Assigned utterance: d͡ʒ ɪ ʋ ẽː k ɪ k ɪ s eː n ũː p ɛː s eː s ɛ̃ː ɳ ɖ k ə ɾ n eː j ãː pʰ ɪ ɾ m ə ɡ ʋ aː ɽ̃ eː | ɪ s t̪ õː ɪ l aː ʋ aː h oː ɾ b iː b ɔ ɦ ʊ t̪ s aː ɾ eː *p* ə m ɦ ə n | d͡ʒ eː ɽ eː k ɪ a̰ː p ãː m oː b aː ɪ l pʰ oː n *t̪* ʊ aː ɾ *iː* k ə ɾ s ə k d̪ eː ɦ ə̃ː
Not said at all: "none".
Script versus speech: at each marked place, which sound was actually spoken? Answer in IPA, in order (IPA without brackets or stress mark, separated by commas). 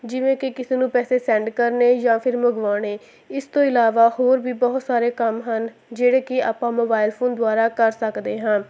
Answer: k, d̪, aː